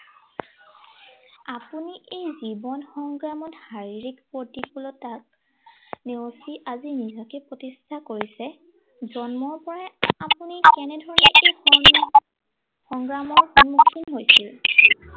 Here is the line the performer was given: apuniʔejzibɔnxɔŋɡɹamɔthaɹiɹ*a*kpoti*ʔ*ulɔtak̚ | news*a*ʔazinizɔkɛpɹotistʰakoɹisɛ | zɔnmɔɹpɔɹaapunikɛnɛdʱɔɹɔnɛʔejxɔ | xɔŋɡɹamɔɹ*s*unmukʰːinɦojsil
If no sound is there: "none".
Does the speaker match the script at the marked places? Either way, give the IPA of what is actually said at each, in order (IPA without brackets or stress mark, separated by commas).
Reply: i, k, i, x